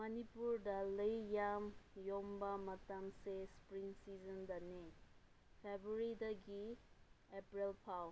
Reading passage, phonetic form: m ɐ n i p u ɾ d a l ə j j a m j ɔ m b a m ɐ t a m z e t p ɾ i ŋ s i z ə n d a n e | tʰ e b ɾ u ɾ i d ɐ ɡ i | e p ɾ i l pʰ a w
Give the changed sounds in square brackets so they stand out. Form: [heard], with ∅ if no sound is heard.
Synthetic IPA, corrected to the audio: m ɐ n i p u ɾ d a l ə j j a m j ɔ m b a m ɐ t a m [s] e [s] p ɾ i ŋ s i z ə n d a n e | [pʰ] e b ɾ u ɾ i d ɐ ɡ i | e p ɾ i l pʰ a w